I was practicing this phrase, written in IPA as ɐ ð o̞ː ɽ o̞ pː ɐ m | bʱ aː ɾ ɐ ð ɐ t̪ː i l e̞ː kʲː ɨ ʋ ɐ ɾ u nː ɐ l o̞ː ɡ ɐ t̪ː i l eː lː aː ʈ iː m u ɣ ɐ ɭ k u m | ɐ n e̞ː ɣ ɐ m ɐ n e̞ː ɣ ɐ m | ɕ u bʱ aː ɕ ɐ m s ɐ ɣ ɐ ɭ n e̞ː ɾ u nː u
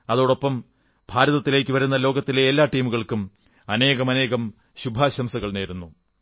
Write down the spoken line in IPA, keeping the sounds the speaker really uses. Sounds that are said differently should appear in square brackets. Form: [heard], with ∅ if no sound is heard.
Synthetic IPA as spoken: ɐ ð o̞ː ɽ o̞ pː ɐ m | bʱ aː ɾ ɐ ð ɐ t̪ː i l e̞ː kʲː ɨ ʋ ɐ ɾ u nː ɐ l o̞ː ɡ ɐ t̪ː i l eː lː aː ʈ iː m u ɣ ɐ ɭ k u m | ɐ n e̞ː ɣ ɐ m ɐ n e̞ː ɣ ɐ m | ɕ u bʱ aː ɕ ɐ m s ɐ ɣ ɐ ɭ n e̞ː ɾ u nː u